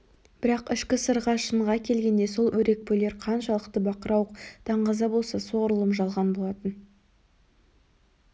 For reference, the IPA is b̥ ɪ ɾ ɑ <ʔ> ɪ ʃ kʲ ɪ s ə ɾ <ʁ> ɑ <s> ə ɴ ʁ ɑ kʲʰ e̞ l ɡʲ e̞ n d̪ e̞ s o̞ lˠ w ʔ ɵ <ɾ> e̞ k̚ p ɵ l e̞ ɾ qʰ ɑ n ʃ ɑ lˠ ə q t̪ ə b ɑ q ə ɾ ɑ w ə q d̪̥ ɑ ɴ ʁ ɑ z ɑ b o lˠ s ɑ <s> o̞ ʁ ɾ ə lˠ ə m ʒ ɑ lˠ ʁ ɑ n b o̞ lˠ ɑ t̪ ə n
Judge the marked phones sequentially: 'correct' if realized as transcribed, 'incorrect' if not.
incorrect, correct, incorrect, correct, correct

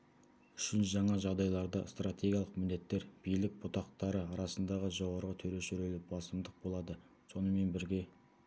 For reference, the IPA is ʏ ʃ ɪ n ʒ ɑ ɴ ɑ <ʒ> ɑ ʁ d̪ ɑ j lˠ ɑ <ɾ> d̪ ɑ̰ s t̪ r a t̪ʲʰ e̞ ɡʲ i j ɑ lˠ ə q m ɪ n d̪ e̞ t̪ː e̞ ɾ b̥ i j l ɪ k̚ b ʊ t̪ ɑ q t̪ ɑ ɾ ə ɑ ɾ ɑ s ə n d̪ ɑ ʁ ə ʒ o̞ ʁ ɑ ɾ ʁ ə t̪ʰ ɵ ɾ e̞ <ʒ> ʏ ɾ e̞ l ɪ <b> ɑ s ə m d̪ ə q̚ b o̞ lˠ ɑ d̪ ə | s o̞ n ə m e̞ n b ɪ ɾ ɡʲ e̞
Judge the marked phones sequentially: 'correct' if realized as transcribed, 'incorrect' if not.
correct, correct, incorrect, correct

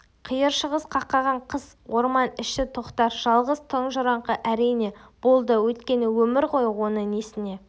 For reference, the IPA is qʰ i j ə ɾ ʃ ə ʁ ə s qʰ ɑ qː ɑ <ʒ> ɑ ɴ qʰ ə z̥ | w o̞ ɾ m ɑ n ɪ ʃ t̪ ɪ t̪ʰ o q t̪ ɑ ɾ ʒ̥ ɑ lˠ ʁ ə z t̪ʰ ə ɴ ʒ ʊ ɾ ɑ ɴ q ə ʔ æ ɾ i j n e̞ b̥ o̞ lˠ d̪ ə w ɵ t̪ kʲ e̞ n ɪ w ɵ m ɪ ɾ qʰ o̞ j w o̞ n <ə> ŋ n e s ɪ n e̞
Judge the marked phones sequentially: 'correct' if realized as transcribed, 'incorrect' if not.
incorrect, correct

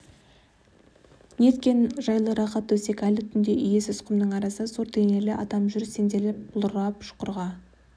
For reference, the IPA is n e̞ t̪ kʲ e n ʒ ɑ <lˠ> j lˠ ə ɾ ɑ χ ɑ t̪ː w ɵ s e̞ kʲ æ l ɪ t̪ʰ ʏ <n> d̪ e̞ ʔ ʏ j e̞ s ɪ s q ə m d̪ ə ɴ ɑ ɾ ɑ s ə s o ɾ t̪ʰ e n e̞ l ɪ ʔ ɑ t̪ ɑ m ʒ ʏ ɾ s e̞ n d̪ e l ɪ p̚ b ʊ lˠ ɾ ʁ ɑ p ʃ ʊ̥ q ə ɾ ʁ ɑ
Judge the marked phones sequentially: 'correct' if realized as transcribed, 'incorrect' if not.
incorrect, correct

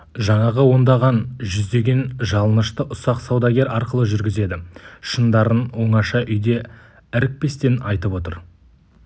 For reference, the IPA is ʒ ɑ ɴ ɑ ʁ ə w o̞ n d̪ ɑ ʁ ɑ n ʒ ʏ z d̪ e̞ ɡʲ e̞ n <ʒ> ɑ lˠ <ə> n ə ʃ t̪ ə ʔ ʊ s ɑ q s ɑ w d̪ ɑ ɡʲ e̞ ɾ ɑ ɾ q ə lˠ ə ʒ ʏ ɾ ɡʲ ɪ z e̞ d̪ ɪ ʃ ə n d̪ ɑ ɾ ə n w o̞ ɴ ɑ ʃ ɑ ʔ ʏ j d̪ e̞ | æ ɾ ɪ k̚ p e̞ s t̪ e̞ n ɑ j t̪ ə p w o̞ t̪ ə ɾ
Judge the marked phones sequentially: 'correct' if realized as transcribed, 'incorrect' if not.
correct, correct

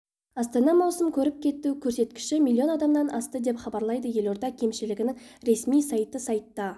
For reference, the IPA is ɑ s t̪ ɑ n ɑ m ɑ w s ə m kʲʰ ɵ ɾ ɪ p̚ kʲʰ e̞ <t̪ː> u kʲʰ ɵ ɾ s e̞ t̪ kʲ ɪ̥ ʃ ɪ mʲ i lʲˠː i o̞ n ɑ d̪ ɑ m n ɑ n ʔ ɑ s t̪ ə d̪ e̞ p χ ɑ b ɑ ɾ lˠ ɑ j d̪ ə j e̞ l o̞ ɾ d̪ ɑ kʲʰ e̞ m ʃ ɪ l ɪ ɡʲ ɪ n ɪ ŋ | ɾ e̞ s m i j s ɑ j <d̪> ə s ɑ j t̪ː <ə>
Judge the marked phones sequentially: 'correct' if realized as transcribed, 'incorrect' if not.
correct, incorrect, incorrect

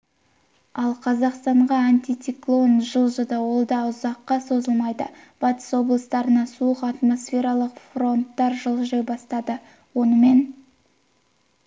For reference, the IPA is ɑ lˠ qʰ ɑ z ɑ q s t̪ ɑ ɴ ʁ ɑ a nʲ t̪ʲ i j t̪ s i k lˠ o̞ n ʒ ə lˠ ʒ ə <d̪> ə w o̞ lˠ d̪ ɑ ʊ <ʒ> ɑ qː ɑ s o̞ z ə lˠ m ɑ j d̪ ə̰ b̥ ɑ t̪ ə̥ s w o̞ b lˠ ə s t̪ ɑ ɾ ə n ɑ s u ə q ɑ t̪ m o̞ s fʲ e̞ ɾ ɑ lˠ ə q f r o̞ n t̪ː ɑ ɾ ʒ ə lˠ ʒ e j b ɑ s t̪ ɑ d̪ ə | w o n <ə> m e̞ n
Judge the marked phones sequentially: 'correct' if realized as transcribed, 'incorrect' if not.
correct, incorrect, correct

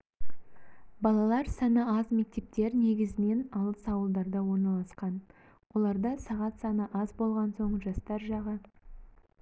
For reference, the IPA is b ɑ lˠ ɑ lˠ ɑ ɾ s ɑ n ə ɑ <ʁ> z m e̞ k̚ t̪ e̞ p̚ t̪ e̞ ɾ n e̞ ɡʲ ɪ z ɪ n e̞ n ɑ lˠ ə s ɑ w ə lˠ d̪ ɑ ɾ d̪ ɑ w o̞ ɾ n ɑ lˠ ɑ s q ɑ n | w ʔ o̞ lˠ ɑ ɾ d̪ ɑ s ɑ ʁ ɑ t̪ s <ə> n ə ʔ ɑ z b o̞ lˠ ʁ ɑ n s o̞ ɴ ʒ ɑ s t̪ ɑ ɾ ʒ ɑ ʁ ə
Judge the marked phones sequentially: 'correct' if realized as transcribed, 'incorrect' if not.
incorrect, incorrect

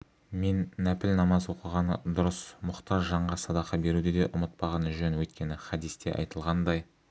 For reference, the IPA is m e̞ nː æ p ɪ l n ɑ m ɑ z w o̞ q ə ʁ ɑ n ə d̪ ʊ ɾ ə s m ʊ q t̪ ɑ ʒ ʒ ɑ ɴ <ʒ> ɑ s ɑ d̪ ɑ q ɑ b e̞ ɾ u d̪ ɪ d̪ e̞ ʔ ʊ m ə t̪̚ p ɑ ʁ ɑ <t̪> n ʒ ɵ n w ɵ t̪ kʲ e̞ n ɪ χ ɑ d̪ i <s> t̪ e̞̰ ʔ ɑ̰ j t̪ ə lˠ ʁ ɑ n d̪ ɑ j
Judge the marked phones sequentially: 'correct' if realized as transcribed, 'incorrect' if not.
incorrect, incorrect, correct

